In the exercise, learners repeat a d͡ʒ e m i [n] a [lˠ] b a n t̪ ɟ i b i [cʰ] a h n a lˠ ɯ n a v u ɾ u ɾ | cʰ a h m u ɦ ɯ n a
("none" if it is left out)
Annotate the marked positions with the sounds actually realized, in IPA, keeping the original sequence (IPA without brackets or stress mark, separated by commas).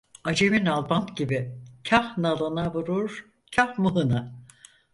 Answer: n, lˠ, cʰ